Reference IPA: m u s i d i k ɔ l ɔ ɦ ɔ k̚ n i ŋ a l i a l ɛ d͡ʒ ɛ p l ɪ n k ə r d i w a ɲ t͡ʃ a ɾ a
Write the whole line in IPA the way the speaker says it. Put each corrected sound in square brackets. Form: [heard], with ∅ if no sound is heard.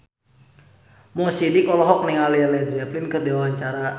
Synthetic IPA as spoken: m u s i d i k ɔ l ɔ ɦ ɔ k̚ n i ŋ a l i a l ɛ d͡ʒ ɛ p l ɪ n k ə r d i w a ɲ t͡ʃ a ɾ a

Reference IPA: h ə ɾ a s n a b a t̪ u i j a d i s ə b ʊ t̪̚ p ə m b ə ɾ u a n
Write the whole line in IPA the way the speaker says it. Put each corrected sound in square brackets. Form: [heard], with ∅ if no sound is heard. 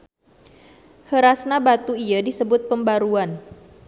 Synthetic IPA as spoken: h ə ɾ a s n a b a t̪ u i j a d i s ə b ʊ t̪̚ p ə m b [a] ɾ u a n

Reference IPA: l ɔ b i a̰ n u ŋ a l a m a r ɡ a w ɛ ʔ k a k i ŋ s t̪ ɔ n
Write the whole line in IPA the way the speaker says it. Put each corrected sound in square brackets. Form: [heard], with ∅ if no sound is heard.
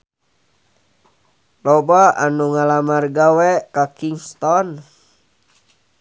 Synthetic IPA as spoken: l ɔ b [a] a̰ n u ŋ a l a m a r ɡ a w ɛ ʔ k a k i ŋ s t̪ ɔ n

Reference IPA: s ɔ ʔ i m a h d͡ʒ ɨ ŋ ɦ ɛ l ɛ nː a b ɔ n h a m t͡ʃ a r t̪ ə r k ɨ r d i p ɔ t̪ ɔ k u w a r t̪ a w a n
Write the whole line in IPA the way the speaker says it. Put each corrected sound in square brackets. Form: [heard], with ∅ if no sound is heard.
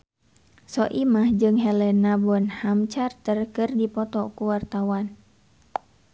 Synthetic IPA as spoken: s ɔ ʔ i m a h d͡ʒ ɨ ŋ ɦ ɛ l ɛ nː a b ɔ n h a m t͡ʃ a r t̪ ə r k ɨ r d i p ɔ t̪ ɔ k u w a r t̪ a w a n

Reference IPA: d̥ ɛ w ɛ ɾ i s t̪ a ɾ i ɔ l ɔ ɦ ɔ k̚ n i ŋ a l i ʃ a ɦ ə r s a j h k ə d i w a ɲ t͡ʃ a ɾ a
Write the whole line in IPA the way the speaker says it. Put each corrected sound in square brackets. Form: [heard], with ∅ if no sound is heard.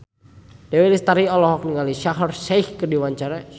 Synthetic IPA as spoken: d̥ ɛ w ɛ [l] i s t̪ a ɾ i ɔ l ɔ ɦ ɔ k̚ n i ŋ a l i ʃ a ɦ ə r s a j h k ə d i w a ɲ t͡ʃ a ɾ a

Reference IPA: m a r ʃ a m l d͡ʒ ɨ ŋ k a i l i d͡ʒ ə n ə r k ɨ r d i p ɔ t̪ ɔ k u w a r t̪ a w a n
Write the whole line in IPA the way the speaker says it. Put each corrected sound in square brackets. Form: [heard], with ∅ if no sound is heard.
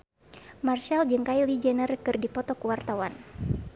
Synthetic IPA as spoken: m a r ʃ a [∅] l d͡ʒ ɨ ŋ k a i l i d͡ʒ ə n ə r k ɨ r d i p ɔ t̪ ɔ k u w a r t̪ a w a n

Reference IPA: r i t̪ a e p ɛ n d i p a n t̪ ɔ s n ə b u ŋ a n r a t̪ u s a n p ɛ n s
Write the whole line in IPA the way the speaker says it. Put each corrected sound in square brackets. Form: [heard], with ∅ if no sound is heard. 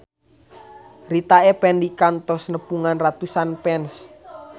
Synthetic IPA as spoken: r i t̪ a e p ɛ n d i [k] a n t̪ ɔ s n ə [p] u ŋ a n r a t̪ u s a n p ɛ n s

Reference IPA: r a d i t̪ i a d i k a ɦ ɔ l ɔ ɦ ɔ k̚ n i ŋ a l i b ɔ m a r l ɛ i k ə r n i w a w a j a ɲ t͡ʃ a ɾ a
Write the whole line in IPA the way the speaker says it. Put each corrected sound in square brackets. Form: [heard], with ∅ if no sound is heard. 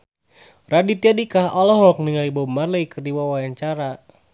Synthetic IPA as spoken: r a d i t̪ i a d i k a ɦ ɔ l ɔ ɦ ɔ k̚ n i ŋ a l i b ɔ m a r l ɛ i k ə r [d] i w a w a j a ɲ t͡ʃ a ɾ a

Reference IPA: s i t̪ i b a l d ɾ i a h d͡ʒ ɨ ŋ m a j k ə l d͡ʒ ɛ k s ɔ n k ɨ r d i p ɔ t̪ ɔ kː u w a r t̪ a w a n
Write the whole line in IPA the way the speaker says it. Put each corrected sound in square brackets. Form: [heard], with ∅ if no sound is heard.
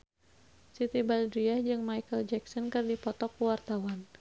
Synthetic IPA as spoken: s i t̪ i b a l d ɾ i a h d͡ʒ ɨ ŋ m a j k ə l d͡ʒ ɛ k s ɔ n k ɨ r d i p ɔ t̪ ɔ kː u w a r t̪ a w a n

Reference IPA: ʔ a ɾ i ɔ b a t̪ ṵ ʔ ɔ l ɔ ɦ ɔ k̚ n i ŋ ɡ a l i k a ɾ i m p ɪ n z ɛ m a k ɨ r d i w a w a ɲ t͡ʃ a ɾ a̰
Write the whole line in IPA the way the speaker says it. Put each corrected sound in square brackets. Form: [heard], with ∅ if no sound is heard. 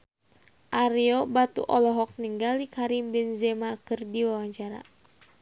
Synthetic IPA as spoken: ʔ a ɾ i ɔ b a t̪ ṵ ʔ ɔ l ɔ ɦ ɔ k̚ n i ŋ ɡ a l i k a ɾ i m [b] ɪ n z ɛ m a k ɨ r d i w a w a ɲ t͡ʃ a ɾ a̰

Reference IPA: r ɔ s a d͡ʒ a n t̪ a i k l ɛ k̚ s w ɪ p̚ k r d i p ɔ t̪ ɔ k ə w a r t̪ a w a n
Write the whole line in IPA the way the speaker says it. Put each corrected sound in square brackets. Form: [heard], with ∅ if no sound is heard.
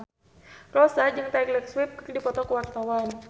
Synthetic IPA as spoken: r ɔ s a d͡ʒ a [ŋ] t̪ a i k l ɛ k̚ s w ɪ p̚ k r d i p ɔ t̪ ɔ k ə w a r t̪ a w a n

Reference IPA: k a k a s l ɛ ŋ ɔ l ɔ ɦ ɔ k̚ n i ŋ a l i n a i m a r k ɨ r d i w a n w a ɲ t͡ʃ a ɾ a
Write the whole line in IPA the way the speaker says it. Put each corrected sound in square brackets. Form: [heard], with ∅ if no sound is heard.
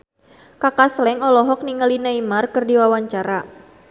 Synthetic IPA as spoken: k a k a s l ɛ ŋ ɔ l ɔ ɦ ɔ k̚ n i ŋ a l i n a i m a r k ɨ r d i w a [∅] w a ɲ t͡ʃ a ɾ a

